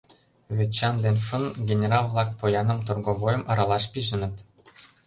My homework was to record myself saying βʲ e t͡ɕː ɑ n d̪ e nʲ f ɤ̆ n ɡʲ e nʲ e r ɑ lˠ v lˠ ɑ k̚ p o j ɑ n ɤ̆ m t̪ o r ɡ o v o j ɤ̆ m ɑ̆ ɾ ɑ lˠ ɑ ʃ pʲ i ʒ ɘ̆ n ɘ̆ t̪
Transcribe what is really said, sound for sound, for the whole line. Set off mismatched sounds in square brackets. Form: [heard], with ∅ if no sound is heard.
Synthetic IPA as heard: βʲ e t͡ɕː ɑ n d̪ e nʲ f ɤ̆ n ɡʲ e nʲ e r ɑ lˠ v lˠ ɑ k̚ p o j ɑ n ɤ̆ m t̪ o r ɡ o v o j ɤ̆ m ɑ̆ ɾ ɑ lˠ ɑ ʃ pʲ i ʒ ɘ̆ n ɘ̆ t̪